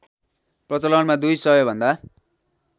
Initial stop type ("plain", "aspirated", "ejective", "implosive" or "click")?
plain